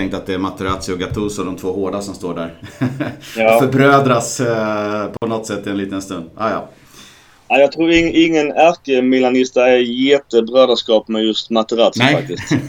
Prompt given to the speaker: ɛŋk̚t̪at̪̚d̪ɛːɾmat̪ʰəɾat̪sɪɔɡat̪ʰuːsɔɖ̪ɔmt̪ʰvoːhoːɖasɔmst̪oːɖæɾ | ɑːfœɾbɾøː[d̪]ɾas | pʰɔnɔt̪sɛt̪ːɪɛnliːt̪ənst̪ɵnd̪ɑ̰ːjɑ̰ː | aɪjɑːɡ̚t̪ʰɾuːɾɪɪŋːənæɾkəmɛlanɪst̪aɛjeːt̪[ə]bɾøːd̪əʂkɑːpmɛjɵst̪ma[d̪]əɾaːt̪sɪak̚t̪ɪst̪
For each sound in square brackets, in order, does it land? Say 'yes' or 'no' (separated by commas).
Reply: yes, yes, no